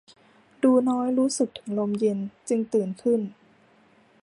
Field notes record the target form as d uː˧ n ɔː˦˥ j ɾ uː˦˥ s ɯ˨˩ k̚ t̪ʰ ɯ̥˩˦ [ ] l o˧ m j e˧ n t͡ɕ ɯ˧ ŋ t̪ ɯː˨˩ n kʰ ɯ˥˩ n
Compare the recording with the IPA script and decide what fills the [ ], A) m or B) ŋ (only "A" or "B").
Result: B